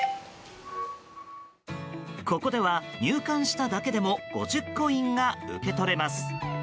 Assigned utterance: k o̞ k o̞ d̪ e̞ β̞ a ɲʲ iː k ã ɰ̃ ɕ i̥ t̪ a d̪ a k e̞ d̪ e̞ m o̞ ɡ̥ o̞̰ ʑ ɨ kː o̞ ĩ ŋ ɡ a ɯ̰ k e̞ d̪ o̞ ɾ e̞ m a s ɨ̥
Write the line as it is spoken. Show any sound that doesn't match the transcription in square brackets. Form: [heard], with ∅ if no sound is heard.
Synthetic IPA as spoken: k o̞ k o̞ d̪ e̞ β̞ a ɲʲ [ɨː] k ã ɰ̃ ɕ i̥ t̪ a d̪ a k e̞ d̪ e̞ m o̞ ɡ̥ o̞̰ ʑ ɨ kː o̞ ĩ ŋ ɡ a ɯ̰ k e̞ [t̪] o̞ ɾ e̞ m a s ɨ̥